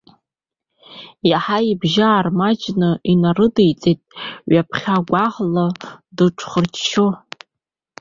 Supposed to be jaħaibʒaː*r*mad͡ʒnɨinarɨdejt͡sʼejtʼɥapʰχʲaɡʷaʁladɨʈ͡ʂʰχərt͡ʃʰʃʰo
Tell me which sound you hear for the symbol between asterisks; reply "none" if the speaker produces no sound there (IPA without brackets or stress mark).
r